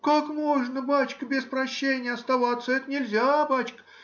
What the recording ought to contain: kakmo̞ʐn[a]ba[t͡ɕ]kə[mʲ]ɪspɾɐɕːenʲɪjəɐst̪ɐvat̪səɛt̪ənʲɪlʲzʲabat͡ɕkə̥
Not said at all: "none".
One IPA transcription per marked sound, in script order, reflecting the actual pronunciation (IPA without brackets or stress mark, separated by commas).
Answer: ə, t͡ɕ, bʲ